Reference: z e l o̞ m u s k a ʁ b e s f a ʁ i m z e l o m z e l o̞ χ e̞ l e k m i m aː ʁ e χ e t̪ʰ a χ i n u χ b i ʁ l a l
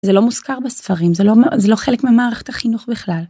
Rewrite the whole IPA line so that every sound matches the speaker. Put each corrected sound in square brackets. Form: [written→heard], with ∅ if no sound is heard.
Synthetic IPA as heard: z e l o̞ m u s k a ʁ b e s f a ʁ i m z e l o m z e l o̞ χ e̞ l e k m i m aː ʁ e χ e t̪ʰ a χ i n u χ b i [ʁ→χ] l a l